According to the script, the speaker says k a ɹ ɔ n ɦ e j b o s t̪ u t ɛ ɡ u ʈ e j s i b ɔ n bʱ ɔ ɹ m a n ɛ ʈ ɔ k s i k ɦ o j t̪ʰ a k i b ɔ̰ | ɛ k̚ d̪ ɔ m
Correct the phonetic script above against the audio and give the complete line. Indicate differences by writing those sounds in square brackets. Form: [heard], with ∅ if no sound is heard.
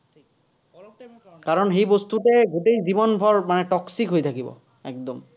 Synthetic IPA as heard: k a ɹ ɔ n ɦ e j b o s t̪ u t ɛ ɡ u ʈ e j [z] i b ɔ n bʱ ɔ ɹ m a n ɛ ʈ ɔ k s i k ɦ o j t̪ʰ a k i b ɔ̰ | ɛ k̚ d̪ ɔ m